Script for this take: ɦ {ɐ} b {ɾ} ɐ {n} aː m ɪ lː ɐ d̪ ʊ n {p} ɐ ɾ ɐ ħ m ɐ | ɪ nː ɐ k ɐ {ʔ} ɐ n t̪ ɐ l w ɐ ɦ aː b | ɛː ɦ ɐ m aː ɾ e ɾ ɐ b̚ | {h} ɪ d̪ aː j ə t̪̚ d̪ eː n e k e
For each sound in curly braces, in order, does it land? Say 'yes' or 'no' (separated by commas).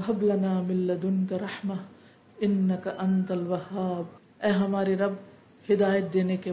yes, no, yes, no, yes, yes